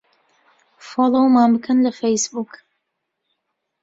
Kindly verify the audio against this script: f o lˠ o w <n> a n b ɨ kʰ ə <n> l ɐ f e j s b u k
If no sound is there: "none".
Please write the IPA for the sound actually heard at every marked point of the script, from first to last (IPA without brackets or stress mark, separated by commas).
m, n